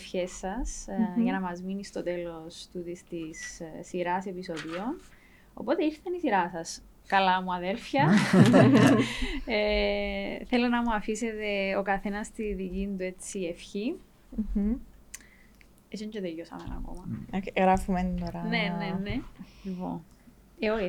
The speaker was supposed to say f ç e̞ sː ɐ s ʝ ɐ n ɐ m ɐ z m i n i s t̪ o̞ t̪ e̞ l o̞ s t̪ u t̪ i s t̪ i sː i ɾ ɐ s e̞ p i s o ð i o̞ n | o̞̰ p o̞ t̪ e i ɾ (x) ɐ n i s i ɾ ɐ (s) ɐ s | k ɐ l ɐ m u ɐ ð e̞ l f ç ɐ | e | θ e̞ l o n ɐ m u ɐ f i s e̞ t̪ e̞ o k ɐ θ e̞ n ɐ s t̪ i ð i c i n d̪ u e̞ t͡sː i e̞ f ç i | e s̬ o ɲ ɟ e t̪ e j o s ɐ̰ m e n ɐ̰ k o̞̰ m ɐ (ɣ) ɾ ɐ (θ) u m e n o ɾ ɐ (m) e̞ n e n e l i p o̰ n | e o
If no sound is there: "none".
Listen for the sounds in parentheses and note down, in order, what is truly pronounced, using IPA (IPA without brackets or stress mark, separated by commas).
θ, s, ɣ, f, n